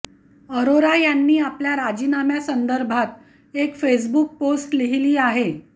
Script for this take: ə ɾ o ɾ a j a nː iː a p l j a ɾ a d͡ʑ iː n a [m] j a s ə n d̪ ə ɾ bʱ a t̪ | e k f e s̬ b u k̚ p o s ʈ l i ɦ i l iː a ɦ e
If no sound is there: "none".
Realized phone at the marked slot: m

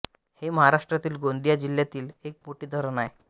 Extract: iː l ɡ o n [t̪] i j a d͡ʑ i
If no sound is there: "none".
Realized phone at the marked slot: d̪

